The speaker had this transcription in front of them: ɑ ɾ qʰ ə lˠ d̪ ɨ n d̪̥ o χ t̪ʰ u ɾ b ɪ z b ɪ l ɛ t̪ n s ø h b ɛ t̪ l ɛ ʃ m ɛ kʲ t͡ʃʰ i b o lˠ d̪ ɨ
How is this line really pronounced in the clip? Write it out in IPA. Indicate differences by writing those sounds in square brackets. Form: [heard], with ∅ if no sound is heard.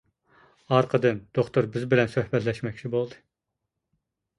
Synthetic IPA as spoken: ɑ ɾ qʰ ə [∅] d̪ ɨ n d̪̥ o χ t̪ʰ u ɾ b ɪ z b ɪ l ɛ [∅] n s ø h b ɛ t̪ l ɛ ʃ m ɛ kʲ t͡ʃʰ i b o lˠ d̪ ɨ